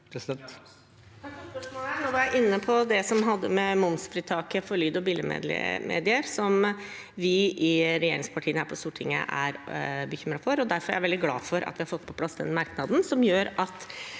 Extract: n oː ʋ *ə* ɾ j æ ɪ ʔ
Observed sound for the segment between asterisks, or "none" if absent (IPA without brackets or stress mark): ɑ